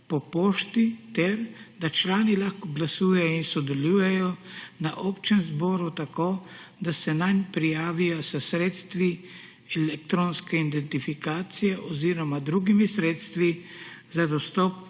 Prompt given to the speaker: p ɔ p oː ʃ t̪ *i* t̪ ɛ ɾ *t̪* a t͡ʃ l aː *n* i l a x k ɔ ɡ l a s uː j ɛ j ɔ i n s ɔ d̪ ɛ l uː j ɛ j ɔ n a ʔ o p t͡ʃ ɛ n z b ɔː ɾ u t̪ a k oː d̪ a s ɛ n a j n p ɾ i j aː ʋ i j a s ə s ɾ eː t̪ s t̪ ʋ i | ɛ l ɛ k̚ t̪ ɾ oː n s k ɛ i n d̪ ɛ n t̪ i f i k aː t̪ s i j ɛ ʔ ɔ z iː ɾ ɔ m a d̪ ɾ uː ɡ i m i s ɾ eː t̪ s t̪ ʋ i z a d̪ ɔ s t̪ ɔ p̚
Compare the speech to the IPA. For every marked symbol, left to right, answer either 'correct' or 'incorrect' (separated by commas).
correct, incorrect, correct